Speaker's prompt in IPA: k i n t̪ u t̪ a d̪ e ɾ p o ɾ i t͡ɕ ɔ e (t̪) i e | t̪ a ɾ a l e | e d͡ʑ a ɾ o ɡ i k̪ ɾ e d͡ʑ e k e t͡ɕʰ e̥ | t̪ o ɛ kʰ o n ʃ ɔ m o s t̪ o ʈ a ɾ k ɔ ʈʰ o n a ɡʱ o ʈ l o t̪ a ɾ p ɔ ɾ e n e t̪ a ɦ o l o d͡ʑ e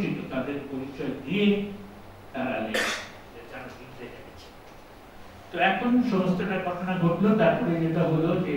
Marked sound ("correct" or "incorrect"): incorrect